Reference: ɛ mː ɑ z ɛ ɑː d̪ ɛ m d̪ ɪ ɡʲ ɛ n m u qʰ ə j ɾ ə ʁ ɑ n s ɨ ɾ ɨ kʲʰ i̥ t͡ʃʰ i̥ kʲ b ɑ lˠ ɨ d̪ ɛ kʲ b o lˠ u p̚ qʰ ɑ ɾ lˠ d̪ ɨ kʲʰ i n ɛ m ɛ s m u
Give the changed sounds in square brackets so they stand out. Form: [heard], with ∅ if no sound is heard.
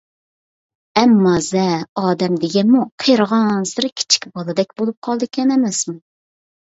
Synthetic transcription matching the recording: ɛ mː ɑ z ɛ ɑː d̪ ɛ m d̪ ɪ ɡʲ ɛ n m u qʰ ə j ɾ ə ʁ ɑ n s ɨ ɾ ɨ kʲʰ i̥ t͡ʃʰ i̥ kʲ b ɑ lˠ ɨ d̪ ɛ kʲ b o lˠ u p̚ qʰ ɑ [∅] lˠ d̪ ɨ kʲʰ [ɛ] n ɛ m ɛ s m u